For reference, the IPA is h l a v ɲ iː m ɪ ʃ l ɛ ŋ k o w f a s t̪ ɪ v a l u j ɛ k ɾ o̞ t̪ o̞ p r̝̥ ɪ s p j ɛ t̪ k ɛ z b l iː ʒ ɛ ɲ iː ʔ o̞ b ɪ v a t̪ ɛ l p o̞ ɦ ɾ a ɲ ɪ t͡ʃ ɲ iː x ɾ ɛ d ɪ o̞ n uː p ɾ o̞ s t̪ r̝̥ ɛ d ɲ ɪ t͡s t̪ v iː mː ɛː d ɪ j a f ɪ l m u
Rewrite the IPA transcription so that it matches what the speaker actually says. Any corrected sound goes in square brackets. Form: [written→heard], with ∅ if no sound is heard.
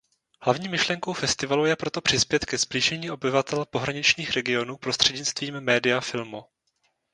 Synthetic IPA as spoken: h l a v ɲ iː m ɪ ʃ l ɛ ŋ k o w f [a→ɛ] s t̪ ɪ v a l u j ɛ [k→p] ɾ o̞ t̪ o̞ p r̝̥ ɪ s p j ɛ t̪ k ɛ z b l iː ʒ ɛ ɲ iː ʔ o̞ b ɪ v a t̪ ɛ l p o̞ ɦ ɾ a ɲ ɪ t͡ʃ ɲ iː x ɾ ɛ [d→ɡ] ɪ o̞ n uː p ɾ o̞ s t̪ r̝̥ ɛ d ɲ ɪ t͡s t̪ v iː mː ɛː d ɪ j a f ɪ l m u